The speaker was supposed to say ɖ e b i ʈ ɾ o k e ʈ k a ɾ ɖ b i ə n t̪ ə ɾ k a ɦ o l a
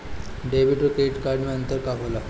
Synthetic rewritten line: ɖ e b i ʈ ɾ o k e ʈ k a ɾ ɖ m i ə n t̪ ə ɾ k a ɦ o l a